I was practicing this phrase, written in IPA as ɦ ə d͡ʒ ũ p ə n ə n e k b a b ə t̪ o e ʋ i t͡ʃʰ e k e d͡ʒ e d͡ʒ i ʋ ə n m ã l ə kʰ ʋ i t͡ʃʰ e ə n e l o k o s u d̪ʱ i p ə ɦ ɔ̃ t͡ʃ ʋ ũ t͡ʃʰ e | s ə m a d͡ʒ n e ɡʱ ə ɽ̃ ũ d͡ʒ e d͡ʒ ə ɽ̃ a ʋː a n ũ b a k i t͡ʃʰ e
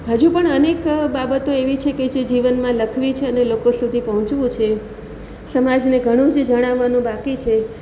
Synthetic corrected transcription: ɦ ə d͡ʒ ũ p ə ɳ ə n e k b a b ə t̪ o e ʋ i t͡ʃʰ e k e d͡ʒ e d͡ʒ i ʋ ə n m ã l ə kʰ ʋ i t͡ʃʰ e ə n e l o k o s u d̪ʱ i p ə ɦ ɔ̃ t͡ʃ ʋ ũ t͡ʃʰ e | s ə m a d͡ʒ n e ɡʱ ə ɽ̃ ũ d͡ʒ e d͡ʒ ə ɽ̃ a ʋː a n ũ b a k i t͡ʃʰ e